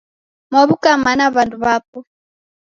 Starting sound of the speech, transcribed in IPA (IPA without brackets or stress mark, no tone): m